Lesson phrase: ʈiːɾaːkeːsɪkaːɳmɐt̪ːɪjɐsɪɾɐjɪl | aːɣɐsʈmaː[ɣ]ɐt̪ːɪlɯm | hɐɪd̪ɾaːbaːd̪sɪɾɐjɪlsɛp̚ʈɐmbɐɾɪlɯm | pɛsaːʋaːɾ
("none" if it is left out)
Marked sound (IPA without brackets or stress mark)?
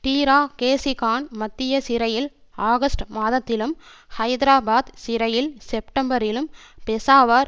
ð